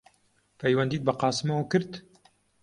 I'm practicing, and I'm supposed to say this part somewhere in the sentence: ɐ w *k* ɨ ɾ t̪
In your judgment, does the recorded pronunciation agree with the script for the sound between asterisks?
yes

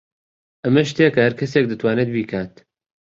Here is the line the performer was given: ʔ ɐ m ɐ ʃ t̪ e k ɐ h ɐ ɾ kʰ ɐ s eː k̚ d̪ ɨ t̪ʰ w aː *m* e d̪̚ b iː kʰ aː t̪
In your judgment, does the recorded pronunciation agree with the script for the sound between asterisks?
no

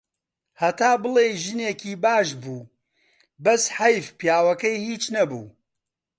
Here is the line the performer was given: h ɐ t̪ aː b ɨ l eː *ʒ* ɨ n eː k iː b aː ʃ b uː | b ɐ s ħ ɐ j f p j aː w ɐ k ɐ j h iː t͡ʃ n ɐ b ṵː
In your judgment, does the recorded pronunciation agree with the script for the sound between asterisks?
yes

